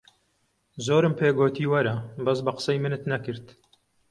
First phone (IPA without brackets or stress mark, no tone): z